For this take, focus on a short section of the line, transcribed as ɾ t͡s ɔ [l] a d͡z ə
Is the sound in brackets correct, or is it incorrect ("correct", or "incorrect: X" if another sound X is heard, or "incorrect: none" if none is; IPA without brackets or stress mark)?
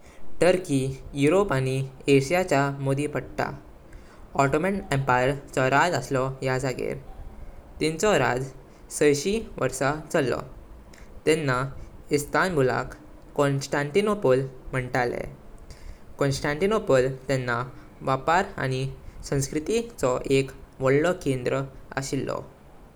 incorrect: ɾ